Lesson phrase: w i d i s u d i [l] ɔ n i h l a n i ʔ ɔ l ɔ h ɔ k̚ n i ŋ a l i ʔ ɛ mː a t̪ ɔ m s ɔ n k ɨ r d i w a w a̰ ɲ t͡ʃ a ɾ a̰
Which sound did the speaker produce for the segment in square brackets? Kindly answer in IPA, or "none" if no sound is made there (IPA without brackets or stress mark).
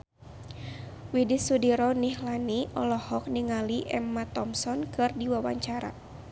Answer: ɾ